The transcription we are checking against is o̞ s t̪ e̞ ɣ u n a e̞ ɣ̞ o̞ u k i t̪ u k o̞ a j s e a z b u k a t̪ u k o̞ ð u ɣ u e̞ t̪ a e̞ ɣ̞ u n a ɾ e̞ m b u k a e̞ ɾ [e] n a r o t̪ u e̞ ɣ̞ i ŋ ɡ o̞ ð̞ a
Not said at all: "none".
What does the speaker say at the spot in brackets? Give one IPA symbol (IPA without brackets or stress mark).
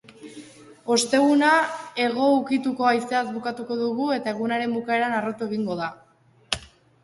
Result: a